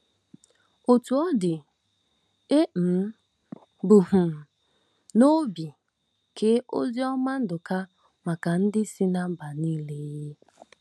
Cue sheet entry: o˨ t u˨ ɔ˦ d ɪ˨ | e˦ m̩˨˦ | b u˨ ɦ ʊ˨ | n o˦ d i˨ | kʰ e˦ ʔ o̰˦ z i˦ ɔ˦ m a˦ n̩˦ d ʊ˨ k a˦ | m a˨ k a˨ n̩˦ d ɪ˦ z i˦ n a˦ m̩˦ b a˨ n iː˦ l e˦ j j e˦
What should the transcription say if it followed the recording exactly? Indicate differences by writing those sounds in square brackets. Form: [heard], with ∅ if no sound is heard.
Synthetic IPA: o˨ t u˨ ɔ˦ d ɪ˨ | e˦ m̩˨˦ | b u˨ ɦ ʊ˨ | n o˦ [b] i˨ | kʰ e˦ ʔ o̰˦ z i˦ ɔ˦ m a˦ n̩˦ d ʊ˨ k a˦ | m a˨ k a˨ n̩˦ d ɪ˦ [s] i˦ n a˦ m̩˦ b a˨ n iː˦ l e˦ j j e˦